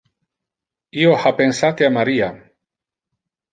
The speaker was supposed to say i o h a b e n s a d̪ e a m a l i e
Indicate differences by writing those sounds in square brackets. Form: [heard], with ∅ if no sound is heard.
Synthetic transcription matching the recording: i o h a [p] e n s a [t̪] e a m a [ɾ] i [a]